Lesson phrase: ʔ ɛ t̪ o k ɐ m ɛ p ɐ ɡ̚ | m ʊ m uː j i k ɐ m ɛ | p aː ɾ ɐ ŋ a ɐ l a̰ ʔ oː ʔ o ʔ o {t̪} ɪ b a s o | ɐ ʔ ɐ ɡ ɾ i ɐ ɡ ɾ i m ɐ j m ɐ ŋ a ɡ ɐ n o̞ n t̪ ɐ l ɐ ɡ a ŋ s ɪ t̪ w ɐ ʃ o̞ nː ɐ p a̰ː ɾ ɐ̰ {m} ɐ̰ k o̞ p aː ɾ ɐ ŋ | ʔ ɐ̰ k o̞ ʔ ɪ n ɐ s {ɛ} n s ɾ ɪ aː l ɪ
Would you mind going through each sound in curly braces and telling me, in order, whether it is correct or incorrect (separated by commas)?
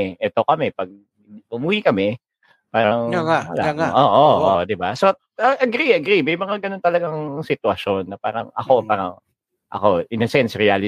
incorrect, incorrect, correct